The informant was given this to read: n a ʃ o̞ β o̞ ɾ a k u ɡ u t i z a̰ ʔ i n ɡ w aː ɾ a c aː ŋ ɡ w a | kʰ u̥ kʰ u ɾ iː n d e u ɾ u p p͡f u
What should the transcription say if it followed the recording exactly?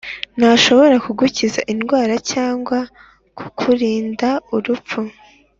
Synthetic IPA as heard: n a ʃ o̞ β o̞ ɾ a k u ɡ u c i z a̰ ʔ i n ɡ w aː ɾ a c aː ŋ ɡ w a | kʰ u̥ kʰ u ɾ iː n d a u ɾ u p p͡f u